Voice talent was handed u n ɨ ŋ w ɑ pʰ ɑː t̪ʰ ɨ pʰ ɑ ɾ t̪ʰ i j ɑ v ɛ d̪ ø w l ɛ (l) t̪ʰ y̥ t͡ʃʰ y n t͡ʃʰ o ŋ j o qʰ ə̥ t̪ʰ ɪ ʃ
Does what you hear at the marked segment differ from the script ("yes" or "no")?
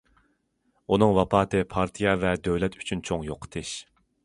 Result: yes